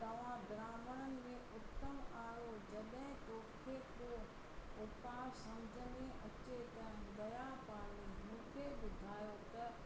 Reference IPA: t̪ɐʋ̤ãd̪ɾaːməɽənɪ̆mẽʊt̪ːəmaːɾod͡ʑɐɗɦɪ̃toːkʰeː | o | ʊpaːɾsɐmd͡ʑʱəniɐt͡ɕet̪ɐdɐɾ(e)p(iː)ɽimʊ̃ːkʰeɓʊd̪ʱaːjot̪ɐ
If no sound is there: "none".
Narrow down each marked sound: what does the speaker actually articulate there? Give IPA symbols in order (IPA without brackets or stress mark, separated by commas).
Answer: a, aː